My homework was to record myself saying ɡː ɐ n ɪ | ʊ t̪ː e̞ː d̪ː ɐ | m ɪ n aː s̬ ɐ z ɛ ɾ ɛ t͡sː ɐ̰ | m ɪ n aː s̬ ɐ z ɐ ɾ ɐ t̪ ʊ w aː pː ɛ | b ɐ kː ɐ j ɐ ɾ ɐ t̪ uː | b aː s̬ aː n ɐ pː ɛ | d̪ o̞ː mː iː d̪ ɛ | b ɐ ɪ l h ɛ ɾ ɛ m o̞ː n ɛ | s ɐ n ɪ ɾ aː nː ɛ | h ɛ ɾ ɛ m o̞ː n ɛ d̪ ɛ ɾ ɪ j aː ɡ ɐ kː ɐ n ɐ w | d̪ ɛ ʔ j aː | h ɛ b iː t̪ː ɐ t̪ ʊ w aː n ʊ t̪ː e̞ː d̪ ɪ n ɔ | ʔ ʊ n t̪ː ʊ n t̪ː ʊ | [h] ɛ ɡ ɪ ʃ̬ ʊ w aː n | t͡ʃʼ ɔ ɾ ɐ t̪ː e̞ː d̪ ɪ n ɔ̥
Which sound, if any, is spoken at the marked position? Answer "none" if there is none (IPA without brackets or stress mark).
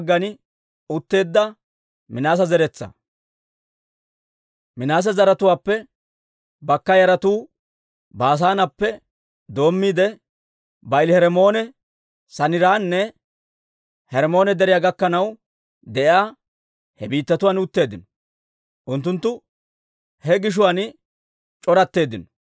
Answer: h